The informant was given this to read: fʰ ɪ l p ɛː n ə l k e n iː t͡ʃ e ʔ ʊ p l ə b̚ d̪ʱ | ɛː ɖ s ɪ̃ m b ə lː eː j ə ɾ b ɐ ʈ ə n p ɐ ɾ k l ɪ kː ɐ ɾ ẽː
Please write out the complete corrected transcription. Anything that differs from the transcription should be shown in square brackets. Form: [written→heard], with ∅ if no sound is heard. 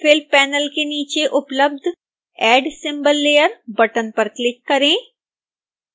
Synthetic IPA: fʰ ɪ l p ɛː n ə l k e n iː t͡ʃ e ʔ ʊ p l ə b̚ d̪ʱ | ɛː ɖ s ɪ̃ m b ə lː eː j ə ɾ b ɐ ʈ ə n p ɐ ɾ k l ɪ kː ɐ ɾ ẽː